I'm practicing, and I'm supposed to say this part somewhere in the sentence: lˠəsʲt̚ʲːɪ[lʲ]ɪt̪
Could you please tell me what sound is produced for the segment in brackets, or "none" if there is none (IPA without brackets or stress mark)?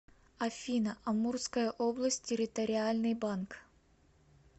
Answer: ɾʲ